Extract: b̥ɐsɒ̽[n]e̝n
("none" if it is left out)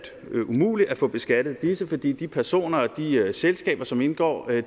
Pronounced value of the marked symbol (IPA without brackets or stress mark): m